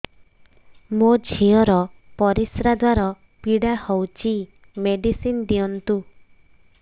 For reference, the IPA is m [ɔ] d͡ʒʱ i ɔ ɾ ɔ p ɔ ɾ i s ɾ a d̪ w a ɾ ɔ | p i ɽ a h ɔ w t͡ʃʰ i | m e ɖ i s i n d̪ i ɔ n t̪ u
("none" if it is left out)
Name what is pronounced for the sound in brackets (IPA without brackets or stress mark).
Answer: o